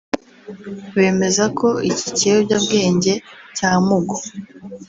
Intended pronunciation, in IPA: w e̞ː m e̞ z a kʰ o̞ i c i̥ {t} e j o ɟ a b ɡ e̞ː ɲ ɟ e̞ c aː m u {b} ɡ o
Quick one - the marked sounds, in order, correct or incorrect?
incorrect, incorrect

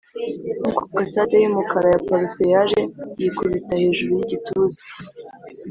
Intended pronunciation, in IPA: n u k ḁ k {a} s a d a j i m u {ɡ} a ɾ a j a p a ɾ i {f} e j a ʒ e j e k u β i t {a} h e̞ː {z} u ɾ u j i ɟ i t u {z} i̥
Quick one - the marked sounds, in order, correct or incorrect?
correct, incorrect, correct, correct, incorrect, correct

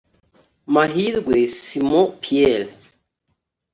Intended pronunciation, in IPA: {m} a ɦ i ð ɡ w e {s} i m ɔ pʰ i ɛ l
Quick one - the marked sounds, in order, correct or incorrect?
correct, correct

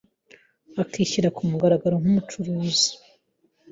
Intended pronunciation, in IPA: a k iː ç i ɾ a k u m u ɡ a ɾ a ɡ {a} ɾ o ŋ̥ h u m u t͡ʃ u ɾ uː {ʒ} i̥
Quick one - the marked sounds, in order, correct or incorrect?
correct, incorrect

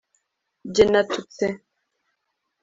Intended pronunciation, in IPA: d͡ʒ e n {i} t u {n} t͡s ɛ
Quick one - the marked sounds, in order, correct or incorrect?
incorrect, incorrect

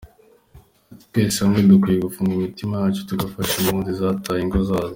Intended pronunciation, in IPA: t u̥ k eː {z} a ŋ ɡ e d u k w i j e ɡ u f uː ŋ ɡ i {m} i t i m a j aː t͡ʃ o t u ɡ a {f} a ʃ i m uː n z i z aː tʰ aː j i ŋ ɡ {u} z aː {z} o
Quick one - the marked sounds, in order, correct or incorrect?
incorrect, correct, correct, incorrect, correct

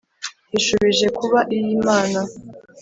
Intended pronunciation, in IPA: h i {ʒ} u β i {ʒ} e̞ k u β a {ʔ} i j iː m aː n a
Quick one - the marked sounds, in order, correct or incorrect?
incorrect, correct, correct

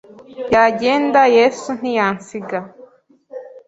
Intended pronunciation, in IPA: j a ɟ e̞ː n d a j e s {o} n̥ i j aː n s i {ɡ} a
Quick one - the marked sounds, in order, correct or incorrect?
incorrect, correct

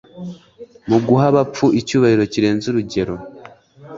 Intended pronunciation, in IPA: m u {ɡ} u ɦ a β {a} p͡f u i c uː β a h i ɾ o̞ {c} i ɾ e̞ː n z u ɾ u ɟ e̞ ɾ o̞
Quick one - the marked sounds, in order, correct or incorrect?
correct, correct, correct

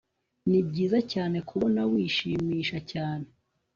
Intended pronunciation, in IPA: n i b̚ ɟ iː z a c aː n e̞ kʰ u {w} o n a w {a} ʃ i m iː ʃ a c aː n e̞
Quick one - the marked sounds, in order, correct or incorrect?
incorrect, incorrect

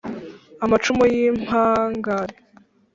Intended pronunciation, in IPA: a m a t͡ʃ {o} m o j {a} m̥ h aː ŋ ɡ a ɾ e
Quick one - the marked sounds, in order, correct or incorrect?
incorrect, incorrect

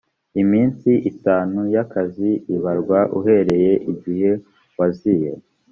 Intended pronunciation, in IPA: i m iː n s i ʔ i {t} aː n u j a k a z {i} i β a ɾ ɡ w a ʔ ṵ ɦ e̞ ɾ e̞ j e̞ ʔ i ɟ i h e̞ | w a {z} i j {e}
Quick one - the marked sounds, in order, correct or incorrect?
correct, correct, correct, correct

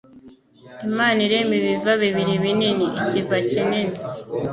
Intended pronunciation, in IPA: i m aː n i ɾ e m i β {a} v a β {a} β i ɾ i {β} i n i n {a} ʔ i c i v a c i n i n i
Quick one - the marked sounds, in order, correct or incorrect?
incorrect, incorrect, correct, incorrect

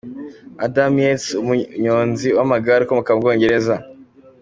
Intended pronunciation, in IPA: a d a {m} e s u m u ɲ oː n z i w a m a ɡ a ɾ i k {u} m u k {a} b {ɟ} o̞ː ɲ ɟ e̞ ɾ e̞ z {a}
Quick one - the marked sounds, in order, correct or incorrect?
correct, incorrect, correct, incorrect, correct

